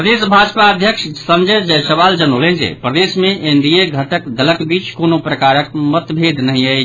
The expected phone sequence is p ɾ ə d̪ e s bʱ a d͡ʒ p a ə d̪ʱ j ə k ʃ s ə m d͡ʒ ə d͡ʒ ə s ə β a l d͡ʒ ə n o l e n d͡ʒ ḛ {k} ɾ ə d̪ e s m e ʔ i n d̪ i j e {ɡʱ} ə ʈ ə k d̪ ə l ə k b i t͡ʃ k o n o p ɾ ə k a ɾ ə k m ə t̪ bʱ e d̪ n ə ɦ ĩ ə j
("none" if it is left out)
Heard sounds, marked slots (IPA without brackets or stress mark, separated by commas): p, ɡʱ